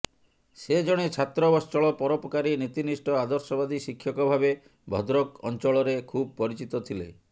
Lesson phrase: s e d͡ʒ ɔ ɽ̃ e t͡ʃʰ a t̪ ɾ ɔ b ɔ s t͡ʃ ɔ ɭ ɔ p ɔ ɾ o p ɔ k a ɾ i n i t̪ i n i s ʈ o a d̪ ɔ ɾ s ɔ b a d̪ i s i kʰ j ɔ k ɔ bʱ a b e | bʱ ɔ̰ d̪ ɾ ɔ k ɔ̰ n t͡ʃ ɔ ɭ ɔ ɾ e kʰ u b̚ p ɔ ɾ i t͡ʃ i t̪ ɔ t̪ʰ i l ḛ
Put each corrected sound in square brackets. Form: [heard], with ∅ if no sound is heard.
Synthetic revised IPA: s e d͡ʒ ɔ ɽ̃ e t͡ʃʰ a t̪ ɾ ɔ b ɔ s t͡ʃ ɔ ɭ ɔ p ɔ ɾ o p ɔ k a ɾ i n i t̪ i n i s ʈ [ɔ] a d̪ ɔ ɾ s ɔ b a d̪ i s i kʰ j ɔ k ɔ bʱ a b e | bʱ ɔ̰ d̪ ɾ ɔ k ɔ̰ n t͡ʃ ɔ ɭ ɔ ɾ e kʰ u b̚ p ɔ ɾ i t͡ʃ i t̪ ɔ t̪ʰ i l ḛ